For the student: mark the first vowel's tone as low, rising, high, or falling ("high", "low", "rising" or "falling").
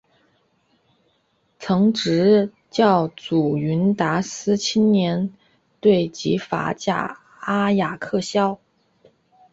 rising